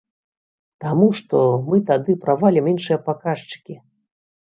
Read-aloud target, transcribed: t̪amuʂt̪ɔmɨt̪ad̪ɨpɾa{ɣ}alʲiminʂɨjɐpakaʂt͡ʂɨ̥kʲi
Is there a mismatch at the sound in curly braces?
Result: yes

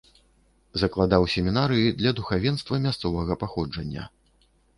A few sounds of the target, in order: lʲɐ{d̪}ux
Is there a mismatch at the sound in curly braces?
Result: no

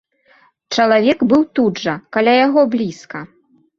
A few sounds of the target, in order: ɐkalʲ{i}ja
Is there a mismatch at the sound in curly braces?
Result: yes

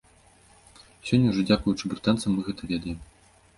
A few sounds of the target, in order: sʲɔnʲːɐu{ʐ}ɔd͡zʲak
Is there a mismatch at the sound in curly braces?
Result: no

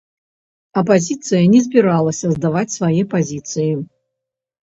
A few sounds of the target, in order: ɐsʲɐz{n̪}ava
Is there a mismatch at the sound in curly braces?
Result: yes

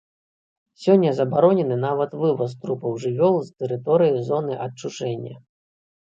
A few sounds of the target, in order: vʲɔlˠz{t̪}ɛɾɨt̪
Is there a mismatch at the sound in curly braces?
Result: no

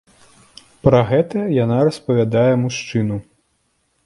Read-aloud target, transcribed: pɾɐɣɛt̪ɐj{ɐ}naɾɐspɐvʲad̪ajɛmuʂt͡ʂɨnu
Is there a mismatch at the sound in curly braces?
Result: yes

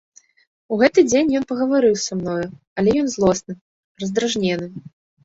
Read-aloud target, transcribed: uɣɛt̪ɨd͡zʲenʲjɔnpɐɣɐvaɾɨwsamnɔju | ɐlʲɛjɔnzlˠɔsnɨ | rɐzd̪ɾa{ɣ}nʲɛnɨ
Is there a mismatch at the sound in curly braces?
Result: yes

